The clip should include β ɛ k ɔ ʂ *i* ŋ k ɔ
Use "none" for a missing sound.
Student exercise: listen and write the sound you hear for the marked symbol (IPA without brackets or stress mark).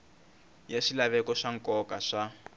a